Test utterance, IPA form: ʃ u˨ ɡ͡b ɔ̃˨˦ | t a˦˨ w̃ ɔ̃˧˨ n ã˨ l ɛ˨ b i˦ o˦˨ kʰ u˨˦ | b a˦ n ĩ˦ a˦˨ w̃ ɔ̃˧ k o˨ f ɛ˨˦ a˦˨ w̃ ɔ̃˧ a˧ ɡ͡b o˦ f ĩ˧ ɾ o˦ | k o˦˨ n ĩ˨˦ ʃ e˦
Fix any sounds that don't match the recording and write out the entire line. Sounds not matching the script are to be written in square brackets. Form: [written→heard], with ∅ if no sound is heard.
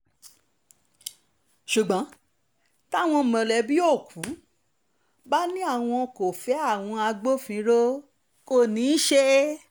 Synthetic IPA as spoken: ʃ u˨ ɡ͡b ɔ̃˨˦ | t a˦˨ w̃ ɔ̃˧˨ [n→m] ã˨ l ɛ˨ b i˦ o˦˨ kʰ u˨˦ | b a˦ n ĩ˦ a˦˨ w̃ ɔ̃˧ k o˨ f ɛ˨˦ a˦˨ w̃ ɔ̃˧ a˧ ɡ͡b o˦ f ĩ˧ ɾ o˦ | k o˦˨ n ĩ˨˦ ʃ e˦